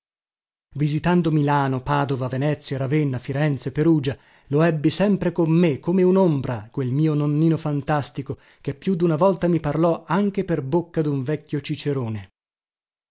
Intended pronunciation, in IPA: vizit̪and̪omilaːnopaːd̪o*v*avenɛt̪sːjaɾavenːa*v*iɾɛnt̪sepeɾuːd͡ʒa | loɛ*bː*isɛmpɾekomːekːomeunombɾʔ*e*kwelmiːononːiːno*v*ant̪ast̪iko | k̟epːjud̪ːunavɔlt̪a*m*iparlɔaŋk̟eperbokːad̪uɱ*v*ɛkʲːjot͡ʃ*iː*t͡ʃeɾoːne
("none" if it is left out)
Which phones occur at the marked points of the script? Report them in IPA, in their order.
v, f, bː, a, f, m, v, i

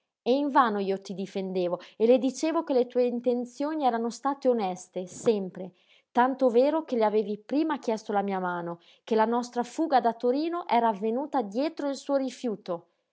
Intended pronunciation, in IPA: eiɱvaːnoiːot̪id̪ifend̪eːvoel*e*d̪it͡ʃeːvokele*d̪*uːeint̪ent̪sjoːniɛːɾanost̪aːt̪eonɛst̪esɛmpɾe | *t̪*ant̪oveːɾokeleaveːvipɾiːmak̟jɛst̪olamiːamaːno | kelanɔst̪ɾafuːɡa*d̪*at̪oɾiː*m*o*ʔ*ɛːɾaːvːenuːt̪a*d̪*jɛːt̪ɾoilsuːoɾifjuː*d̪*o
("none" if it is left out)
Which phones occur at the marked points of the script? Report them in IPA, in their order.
e, t̪, t̪, d̪, n, ʔ, d̪, t̪

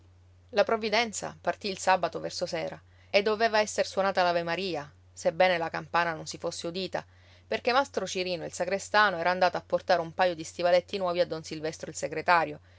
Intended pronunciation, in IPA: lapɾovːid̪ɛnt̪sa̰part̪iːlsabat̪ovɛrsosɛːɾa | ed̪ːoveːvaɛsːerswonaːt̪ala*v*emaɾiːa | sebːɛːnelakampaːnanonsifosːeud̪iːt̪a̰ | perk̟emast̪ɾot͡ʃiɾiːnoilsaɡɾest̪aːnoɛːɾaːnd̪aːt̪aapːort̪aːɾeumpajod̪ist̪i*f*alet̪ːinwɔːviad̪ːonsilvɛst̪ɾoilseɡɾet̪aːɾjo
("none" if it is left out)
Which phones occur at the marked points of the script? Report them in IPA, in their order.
v, v

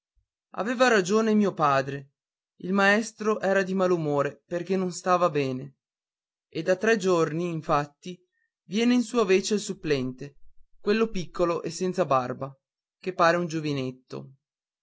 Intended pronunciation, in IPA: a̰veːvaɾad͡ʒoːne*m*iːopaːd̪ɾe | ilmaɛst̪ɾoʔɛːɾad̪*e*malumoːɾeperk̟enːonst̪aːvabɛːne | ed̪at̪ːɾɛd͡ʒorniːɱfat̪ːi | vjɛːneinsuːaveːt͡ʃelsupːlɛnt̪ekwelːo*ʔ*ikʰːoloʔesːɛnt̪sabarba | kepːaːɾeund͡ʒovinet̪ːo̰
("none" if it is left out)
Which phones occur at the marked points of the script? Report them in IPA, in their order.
m, i, p

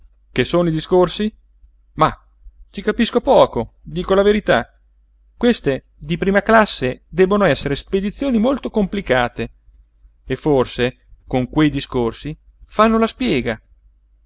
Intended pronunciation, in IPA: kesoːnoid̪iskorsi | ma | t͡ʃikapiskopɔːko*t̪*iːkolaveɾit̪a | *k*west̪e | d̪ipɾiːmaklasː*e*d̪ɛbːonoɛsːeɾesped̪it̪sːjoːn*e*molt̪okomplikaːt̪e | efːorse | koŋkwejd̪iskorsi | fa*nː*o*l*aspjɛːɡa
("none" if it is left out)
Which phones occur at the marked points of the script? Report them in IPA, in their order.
d̪, k, e, i, nː, l

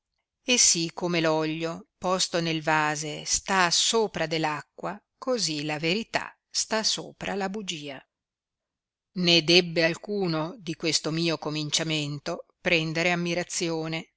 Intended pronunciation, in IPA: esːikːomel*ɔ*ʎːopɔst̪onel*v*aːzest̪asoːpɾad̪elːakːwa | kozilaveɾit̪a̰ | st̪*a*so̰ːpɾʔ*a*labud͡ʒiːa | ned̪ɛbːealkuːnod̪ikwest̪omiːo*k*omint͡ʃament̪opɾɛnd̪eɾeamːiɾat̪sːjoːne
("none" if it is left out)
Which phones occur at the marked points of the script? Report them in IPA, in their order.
ɔ, v, a, a, k

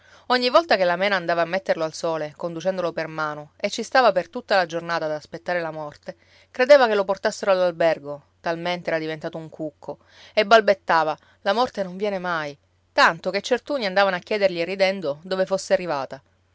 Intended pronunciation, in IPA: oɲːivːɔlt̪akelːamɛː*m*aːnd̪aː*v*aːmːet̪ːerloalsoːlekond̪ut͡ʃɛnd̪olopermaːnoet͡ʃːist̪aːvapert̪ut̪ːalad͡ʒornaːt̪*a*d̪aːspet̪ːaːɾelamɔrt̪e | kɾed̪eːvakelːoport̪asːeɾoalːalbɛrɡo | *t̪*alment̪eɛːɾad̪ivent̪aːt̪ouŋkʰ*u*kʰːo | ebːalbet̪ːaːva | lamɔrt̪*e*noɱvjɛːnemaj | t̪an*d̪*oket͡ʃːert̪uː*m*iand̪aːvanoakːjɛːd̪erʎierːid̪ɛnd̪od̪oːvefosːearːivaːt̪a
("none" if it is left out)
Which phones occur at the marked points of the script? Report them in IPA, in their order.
n, v, a, t̪, u, e, t̪, n

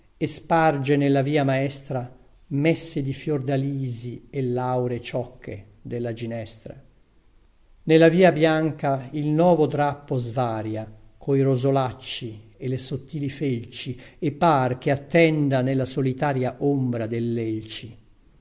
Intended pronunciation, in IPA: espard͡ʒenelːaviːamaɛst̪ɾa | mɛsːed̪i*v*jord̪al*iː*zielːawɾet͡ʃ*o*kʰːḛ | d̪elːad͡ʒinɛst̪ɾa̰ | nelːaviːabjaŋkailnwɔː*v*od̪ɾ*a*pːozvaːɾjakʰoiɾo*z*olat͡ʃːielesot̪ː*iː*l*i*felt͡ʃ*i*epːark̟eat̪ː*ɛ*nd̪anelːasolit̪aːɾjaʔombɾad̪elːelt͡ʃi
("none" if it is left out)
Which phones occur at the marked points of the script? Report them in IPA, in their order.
f, iː, ɔ, v, a, z, iː, i, i, ɛ

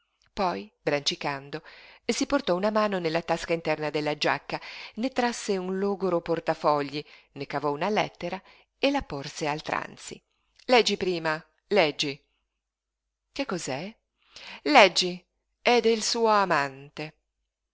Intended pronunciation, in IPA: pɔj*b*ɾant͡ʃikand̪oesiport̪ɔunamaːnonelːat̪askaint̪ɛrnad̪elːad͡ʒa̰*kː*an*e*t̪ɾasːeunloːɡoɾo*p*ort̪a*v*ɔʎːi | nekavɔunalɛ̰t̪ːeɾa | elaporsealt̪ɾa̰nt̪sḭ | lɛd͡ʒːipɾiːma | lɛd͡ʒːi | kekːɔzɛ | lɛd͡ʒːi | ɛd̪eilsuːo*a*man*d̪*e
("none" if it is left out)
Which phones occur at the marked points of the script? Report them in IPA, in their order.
b, kː, e, p, f, a, t̪

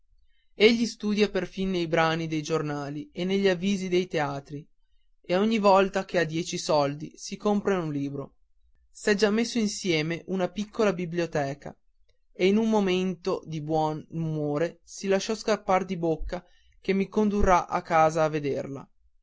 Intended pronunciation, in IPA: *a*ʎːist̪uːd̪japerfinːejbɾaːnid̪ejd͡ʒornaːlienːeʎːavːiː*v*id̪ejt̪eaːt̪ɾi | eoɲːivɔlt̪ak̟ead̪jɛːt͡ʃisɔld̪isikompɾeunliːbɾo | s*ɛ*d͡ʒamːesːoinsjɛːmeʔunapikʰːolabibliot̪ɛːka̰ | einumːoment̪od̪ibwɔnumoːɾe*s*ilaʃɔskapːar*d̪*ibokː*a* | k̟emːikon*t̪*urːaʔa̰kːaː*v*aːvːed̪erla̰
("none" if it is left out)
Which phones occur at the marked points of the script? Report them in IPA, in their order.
e, z, ɛ, s, d̪, a, d̪, z

